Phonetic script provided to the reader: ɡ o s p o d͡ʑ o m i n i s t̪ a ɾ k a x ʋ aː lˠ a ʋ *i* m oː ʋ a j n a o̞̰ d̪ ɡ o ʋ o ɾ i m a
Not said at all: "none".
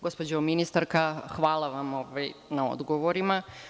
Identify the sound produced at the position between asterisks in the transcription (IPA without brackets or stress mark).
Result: a